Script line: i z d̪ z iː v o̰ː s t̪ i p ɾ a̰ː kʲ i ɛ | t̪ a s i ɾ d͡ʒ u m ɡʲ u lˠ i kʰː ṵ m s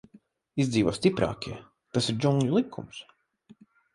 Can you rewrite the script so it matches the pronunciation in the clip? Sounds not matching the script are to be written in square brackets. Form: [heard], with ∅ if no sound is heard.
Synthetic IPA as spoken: i z d̪ z iː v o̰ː s t̪ i p ɾ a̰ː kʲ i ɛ | t̪ a s i ɾ d͡ʒ u [ŋ] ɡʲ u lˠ i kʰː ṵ m s